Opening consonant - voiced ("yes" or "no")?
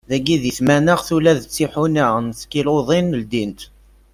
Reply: yes